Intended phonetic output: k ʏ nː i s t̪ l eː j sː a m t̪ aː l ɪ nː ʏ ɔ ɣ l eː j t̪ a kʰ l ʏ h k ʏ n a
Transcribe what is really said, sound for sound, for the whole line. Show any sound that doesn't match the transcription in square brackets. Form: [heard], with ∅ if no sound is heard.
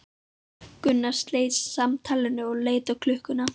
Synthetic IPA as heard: k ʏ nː [a] s t̪ l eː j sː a m [t̪ʰ] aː l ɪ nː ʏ ɔ ɣ l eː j t̪ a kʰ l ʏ h k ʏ n a